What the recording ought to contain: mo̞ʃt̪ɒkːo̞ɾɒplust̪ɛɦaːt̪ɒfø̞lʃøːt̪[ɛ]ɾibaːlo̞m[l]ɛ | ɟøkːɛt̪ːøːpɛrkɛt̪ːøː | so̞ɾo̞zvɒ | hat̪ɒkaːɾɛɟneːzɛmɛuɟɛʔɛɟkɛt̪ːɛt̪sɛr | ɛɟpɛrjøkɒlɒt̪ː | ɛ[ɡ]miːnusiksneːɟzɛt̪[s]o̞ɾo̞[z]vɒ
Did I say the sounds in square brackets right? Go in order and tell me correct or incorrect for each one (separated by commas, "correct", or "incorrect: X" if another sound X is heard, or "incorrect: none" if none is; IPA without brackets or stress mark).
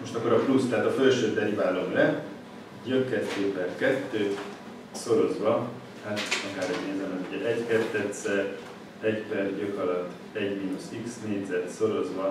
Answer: correct, correct, incorrect: ɟ, correct, correct